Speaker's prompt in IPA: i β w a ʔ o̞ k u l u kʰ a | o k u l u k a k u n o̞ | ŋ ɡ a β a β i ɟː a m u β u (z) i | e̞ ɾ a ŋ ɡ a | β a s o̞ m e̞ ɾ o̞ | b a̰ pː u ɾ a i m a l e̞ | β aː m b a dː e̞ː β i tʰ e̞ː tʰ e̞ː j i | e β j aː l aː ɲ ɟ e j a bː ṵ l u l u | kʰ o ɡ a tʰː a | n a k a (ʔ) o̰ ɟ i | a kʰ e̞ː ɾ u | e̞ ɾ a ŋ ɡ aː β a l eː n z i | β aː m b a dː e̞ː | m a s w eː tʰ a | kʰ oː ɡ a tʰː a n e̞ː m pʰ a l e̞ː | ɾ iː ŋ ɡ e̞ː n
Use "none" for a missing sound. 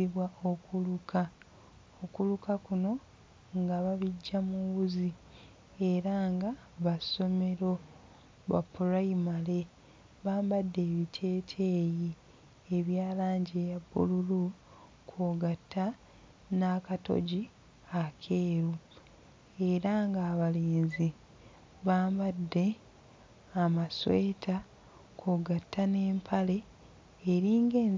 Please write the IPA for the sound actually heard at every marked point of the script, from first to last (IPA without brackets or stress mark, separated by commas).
z, t